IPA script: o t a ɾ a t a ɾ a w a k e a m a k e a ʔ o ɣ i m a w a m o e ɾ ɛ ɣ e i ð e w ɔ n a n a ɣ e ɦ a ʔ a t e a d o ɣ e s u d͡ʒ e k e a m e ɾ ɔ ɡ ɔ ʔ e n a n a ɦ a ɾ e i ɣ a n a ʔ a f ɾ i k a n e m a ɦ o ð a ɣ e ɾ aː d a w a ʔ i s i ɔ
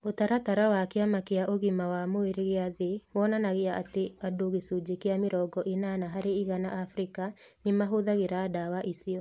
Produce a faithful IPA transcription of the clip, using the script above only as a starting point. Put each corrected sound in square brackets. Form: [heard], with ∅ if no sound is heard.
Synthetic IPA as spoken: o t a ɾ a t a ɾ a w a k e a m a k e a ʔ o ɣ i m a w a m o e ɾ [e] ɣ e [a] ð e w ɔ n a n a ɣ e [∅] a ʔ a t e a d o ɣ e s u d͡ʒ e k e a m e ɾ ɔ ɡ ɔ ʔ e n a n a ɦ a ɾ e i ɣ a n a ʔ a f ɾ i k a n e m a ɦ o ð a ɣ e ɾ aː d a w a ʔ i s i ɔ